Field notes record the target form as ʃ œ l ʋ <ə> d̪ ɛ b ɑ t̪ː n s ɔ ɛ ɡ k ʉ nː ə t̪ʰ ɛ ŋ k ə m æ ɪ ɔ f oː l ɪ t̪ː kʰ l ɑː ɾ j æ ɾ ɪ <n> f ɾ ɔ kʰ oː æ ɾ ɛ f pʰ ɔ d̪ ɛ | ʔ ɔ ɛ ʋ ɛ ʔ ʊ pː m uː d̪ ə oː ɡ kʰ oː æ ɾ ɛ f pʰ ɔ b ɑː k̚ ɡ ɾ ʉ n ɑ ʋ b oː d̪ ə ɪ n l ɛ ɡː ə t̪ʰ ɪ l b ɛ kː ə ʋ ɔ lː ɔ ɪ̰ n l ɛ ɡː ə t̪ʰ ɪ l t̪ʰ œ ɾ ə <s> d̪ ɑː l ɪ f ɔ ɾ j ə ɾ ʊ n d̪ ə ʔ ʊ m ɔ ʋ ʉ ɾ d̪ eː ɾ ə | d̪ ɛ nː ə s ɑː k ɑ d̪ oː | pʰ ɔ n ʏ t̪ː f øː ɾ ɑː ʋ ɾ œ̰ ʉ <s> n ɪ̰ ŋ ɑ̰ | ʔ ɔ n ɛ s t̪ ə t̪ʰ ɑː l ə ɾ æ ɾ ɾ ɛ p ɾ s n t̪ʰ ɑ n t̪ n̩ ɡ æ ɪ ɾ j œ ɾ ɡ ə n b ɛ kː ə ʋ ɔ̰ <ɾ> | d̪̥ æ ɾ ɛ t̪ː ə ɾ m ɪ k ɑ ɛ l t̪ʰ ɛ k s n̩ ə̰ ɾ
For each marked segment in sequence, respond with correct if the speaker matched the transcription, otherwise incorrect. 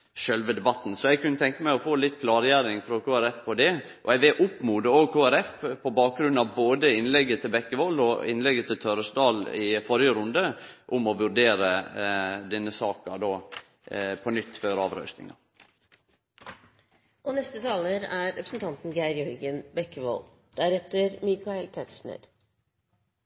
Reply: correct, incorrect, correct, correct, incorrect

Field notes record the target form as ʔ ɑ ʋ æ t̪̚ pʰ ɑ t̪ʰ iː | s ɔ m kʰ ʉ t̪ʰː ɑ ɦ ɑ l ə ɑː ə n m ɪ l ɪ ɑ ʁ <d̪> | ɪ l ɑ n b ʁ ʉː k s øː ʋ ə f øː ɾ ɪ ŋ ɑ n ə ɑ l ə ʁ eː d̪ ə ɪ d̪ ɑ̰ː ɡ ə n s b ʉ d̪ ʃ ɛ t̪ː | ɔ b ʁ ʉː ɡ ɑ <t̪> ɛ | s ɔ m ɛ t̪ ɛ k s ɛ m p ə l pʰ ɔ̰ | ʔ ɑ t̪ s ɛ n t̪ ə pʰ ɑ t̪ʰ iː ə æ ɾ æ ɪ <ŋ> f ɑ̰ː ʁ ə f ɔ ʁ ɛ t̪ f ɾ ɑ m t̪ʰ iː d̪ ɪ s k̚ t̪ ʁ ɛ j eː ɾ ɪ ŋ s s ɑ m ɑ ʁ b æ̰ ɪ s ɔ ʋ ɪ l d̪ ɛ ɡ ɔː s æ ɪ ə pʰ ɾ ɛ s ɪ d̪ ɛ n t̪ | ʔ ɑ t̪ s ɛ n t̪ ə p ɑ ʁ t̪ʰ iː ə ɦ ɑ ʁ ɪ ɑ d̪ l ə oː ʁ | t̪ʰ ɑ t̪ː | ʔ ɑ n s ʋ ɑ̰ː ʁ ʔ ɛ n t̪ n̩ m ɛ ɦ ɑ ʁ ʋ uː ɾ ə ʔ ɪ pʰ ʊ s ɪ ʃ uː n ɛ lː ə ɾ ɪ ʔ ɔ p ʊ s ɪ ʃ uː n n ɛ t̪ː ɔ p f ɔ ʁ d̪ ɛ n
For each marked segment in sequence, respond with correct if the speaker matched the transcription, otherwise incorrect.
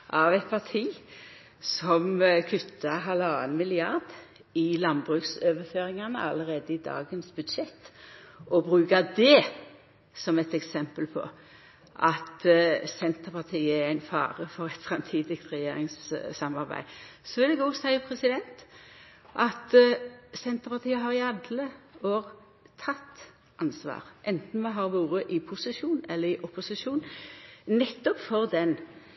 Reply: correct, incorrect, incorrect

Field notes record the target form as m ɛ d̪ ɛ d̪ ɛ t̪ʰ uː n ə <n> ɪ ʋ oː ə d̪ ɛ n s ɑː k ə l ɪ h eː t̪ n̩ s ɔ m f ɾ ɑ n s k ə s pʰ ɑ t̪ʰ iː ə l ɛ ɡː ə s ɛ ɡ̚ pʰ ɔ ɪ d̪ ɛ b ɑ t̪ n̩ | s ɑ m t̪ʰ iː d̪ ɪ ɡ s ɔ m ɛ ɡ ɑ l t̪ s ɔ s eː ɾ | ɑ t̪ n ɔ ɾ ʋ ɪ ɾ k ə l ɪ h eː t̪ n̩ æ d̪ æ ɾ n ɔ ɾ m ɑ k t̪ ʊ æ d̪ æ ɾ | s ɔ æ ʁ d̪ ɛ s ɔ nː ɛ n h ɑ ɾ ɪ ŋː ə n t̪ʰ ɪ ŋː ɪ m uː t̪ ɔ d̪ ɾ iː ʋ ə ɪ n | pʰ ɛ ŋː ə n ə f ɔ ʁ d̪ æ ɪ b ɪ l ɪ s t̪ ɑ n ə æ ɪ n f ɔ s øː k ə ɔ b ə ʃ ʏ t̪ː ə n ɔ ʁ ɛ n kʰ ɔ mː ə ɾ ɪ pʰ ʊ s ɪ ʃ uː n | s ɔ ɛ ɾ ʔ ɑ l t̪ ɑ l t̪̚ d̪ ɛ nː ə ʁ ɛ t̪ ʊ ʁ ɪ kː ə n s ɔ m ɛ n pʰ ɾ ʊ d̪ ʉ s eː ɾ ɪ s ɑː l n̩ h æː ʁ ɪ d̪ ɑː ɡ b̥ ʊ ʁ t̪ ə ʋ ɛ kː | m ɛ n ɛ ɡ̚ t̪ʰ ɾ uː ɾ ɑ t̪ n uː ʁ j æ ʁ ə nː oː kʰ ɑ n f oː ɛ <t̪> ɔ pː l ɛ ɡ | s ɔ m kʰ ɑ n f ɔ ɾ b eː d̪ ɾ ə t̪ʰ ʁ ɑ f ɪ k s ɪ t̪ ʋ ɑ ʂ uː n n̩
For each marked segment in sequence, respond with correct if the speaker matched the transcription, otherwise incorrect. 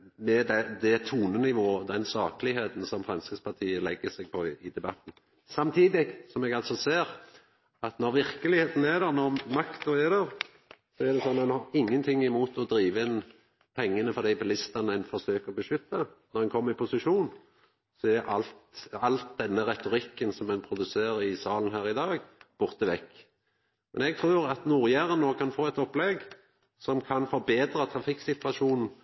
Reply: correct, correct

